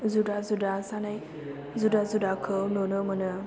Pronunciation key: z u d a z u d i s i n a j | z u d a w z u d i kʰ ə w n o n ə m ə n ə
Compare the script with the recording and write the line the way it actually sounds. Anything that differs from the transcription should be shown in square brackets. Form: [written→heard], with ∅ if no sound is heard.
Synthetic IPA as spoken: z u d a z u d [i→a] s [i→a] n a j | z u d a [w→∅] z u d [i→a] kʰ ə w n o n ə m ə n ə